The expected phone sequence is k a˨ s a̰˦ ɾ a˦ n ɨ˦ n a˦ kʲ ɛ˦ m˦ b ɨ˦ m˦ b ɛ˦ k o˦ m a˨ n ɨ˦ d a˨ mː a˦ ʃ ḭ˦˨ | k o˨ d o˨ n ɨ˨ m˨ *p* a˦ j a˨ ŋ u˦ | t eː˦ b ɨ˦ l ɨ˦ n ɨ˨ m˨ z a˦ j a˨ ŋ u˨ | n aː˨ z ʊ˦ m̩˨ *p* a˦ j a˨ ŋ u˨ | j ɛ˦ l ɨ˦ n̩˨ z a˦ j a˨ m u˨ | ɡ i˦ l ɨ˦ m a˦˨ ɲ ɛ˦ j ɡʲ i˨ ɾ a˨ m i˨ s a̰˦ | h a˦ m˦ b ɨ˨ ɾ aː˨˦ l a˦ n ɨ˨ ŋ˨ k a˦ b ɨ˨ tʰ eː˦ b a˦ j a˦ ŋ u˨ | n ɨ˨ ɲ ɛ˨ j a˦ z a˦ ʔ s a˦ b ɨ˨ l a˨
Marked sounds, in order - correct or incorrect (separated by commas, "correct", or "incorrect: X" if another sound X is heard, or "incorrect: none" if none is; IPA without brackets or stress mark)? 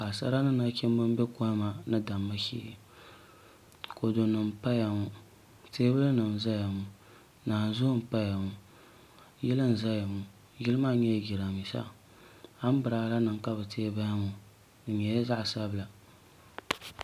correct, correct